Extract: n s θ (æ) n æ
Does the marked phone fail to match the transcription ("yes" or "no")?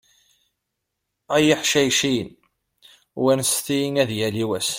yes